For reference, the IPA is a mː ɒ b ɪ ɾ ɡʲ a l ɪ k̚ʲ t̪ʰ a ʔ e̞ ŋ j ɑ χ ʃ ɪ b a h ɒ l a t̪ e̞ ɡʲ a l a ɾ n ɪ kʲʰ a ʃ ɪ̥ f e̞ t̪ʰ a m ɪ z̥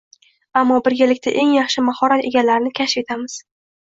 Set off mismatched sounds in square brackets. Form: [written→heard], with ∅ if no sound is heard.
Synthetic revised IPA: a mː ɒ b ɪ ɾ ɡʲ a l ɪ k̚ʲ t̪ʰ a ʔ e̞ ŋ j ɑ χ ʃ ɪ [b→m] a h ɒ [l→ɾ] a t̪ e̞ ɡʲ a l a ɾ n ɪ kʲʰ a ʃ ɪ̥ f e̞ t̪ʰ a m ɪ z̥